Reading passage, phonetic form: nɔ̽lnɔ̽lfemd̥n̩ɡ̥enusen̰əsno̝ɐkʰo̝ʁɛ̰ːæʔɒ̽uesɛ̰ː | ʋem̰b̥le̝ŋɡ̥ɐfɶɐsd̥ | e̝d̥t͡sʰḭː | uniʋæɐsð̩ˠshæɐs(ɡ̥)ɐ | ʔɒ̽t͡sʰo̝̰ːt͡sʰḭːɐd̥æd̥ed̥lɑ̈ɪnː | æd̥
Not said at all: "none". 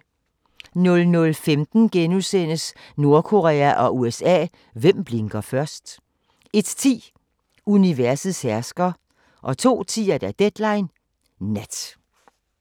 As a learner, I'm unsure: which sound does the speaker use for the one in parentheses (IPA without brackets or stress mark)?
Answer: ɡ̥